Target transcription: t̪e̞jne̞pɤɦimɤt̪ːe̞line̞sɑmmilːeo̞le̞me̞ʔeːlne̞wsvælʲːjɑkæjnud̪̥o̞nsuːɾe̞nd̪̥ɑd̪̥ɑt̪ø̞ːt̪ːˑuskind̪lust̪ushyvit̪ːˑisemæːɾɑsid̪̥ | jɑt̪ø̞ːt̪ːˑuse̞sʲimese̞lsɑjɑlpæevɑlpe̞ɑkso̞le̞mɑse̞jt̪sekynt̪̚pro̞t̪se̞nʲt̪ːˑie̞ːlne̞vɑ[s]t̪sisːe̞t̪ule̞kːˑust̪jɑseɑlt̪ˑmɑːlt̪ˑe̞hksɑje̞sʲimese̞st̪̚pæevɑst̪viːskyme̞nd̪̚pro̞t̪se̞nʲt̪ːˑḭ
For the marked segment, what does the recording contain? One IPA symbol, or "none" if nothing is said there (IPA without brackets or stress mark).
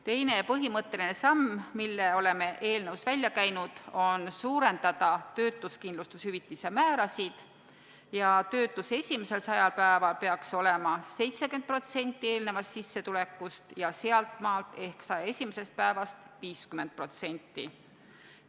s